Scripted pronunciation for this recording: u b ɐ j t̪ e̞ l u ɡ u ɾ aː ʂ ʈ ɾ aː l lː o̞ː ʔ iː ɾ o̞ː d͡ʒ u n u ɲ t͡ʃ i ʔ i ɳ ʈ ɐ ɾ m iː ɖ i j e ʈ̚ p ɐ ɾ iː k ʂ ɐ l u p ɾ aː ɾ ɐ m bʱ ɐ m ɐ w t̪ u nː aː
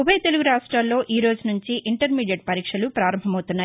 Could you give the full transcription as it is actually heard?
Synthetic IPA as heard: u b ɐ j t̪ e̞ l u ɡ u ɾ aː ʂ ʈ ɾ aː l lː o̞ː ʔ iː ɾ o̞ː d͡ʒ u n u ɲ t͡ʃ i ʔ i ɳ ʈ ɐ ɾ m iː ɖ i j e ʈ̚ p ɐ ɾ iː k ʂ ɐ l u p ɾ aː ɾ ɐ m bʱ ɐ m ɐ w t̪ u nː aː